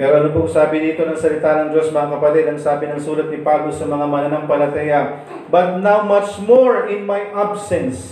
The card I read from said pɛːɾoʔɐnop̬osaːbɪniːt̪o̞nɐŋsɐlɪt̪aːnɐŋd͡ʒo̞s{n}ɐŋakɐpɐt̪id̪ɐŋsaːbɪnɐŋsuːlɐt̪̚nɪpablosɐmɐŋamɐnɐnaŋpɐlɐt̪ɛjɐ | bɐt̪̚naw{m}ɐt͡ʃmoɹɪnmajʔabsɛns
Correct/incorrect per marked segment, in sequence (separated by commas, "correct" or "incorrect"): incorrect, correct